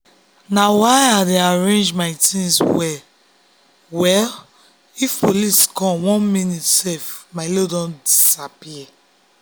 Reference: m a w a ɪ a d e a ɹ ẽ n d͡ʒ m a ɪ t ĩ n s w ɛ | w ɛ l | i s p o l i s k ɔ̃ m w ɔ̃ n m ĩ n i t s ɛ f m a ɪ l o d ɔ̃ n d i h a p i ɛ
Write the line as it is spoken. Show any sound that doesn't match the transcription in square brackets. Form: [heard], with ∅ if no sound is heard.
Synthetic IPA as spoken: [n] a w a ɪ a d e a ɹ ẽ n d͡ʒ m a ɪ t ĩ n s w ɛ | w ɛ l | i [f] p o l i s k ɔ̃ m w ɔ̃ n m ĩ n i t s ɛ f m a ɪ l o d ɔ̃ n d i [s] a p i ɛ